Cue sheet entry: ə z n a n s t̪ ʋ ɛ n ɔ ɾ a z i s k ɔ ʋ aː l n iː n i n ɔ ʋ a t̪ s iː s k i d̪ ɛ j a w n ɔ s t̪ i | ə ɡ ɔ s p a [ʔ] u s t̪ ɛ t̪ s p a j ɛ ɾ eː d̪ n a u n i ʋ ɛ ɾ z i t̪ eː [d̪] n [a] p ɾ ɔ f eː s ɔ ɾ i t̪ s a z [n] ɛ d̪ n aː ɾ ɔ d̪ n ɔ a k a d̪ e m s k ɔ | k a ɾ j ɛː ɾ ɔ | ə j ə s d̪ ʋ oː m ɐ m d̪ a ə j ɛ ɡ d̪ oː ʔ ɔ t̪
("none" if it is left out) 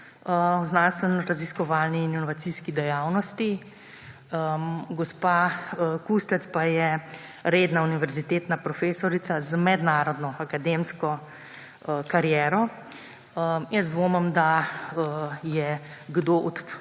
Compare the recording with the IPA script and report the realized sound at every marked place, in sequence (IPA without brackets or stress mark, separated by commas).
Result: k, t̪, a, m